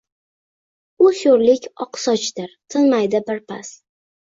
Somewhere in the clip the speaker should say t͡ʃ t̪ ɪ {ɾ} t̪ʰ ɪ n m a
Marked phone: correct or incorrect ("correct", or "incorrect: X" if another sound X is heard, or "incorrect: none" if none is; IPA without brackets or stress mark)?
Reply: correct